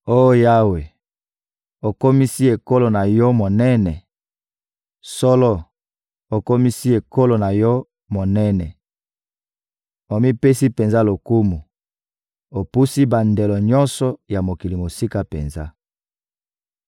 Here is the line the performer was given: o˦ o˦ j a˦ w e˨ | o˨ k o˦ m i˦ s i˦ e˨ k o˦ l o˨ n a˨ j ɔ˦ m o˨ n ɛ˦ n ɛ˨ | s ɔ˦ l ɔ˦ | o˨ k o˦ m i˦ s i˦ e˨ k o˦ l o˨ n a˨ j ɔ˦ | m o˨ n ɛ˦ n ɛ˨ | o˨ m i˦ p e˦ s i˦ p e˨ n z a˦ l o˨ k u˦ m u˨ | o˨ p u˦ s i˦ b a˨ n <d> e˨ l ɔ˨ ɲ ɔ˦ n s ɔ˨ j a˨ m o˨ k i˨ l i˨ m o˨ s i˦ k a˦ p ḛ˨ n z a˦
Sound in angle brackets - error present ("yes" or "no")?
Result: no